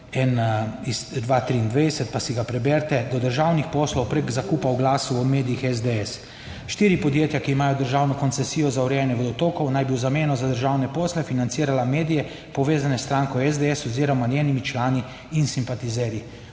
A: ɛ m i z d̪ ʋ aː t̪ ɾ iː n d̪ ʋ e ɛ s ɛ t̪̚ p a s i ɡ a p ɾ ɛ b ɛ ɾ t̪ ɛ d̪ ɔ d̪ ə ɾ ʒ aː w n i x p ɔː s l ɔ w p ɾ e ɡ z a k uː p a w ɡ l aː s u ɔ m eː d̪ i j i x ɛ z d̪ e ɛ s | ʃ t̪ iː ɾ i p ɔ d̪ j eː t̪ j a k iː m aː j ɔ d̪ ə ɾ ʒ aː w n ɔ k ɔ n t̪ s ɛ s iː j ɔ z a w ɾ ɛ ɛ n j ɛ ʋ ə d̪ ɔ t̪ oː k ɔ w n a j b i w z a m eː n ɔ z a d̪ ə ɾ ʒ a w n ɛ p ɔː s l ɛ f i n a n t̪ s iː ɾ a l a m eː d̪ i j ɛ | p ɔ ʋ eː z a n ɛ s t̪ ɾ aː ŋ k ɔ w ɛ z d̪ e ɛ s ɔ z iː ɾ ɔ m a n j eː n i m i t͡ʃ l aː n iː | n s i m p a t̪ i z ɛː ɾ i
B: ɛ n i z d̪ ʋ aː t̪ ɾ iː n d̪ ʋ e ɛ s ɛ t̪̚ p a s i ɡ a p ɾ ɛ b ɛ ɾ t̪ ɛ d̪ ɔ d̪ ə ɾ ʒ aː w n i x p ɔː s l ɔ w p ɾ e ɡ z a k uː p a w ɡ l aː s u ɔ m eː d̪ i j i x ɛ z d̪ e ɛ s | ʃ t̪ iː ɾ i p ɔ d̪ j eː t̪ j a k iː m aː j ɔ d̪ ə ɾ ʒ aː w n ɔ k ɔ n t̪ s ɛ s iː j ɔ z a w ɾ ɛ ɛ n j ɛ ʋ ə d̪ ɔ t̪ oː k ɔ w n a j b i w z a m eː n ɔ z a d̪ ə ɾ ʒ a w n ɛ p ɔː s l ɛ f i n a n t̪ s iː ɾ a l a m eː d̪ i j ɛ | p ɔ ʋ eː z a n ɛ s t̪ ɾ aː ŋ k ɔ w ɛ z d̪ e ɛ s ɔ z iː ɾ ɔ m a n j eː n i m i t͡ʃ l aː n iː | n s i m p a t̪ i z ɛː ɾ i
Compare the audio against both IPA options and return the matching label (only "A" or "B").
B